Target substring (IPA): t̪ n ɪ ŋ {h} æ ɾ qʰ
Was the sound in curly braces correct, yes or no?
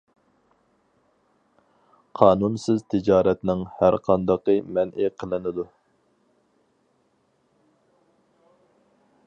yes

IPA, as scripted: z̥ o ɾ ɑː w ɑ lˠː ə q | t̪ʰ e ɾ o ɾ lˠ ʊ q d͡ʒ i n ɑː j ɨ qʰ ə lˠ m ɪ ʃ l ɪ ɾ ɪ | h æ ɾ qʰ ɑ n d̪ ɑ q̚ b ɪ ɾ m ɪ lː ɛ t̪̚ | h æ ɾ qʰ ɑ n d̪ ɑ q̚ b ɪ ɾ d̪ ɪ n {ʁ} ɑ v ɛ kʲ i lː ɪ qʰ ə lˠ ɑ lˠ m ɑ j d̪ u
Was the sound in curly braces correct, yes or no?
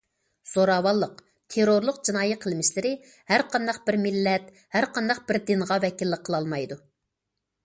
yes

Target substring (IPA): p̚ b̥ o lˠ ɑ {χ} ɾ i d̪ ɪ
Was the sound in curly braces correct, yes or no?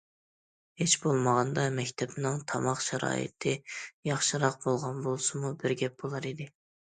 no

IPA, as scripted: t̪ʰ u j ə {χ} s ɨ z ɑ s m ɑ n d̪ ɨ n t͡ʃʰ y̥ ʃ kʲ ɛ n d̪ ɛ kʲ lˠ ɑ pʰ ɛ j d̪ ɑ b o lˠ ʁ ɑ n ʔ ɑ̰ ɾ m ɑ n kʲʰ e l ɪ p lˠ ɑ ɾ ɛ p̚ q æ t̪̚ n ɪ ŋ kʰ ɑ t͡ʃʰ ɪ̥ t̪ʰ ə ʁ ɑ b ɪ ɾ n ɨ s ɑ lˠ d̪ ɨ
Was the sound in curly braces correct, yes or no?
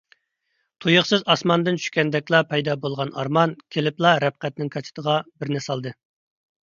yes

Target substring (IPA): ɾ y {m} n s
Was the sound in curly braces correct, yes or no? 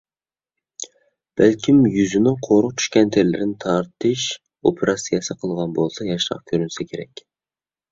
no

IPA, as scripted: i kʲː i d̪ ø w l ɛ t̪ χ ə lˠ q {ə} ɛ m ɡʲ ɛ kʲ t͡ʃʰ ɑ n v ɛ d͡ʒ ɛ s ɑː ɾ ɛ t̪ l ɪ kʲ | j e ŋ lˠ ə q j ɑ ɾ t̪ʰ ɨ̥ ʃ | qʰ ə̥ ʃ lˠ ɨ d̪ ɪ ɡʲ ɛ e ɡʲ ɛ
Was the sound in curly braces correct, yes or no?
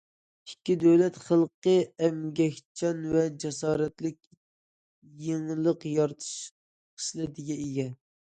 yes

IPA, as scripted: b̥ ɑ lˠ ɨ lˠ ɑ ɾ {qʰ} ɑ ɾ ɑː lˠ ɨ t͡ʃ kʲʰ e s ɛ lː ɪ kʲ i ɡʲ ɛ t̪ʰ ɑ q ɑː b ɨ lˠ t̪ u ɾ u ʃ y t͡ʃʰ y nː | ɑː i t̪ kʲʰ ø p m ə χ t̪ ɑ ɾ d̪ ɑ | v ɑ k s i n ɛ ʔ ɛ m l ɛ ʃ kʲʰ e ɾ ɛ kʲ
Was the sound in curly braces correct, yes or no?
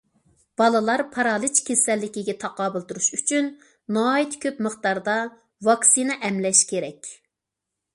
no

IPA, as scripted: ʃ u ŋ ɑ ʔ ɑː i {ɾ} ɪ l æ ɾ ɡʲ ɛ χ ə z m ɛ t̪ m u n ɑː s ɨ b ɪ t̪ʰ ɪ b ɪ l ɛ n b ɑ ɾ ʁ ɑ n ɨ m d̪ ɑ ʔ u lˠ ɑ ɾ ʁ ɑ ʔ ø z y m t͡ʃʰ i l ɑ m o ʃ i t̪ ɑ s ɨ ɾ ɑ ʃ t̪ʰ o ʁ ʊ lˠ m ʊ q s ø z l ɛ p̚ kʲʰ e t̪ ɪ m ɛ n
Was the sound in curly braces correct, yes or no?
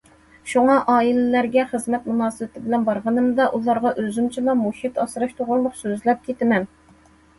no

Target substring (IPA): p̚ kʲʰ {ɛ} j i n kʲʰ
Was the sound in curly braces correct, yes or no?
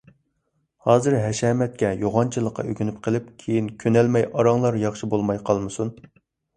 no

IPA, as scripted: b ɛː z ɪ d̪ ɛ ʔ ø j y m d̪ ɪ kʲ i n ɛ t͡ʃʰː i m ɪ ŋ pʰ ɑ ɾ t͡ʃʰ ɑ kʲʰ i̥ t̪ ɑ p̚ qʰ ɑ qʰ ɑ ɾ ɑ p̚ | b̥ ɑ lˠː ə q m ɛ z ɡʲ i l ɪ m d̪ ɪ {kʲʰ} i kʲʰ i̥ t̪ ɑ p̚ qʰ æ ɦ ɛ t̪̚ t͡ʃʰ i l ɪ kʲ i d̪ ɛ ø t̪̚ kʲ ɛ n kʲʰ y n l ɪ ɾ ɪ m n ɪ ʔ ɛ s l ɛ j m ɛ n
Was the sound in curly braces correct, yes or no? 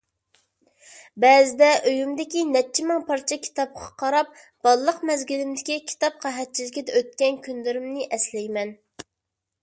no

